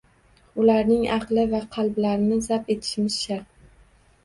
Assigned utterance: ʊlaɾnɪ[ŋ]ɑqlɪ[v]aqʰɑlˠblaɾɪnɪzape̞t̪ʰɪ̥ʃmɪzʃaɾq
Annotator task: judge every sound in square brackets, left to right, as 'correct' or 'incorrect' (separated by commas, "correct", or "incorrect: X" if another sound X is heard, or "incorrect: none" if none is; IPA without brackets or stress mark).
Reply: correct, correct